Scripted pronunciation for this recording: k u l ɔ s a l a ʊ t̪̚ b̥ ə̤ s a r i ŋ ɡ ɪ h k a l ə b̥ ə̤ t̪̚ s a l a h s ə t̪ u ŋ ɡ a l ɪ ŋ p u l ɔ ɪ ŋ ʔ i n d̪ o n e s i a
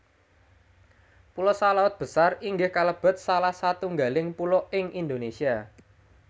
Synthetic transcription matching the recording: p u l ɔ s a l a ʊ t̪̚ b̥ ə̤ s a r i ŋ ɡ ɪ h k a l ə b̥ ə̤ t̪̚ s a l a h s a t̪ u ŋ ɡ a l ɪ ŋ p u l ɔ ɪ ŋ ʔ i n d̪ o n e s i a